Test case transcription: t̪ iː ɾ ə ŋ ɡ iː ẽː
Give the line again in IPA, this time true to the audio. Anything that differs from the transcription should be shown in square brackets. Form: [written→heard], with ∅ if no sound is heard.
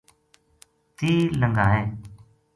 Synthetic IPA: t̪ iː [ɾ→l] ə ŋ ɡ [iː→aː] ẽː